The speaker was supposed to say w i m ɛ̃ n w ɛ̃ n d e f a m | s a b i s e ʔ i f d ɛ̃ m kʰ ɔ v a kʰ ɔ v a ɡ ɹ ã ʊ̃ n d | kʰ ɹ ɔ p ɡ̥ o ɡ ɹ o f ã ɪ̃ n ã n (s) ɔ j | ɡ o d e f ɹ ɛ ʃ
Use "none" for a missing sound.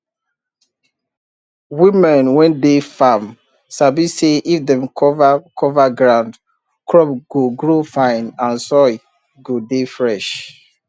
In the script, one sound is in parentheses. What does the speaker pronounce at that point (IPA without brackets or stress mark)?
s